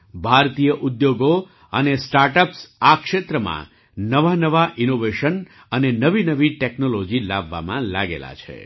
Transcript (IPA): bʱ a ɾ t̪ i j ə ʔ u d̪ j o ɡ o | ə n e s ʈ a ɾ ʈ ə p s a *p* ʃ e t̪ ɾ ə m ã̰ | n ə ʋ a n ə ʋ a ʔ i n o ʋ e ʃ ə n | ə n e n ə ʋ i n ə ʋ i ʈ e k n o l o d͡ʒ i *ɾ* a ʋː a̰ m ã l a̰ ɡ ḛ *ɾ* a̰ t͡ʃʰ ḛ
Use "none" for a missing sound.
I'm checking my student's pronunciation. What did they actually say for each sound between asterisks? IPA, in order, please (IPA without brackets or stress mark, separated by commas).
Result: k, l, l